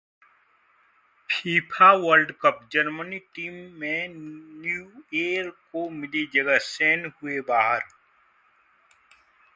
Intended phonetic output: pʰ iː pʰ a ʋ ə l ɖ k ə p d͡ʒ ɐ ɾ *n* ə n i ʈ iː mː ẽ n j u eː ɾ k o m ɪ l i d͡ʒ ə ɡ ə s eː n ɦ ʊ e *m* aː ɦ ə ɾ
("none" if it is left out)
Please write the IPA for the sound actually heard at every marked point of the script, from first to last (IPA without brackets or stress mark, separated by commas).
m, b